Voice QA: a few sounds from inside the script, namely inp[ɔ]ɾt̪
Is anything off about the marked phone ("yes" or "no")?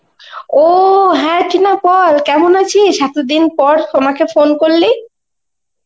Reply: no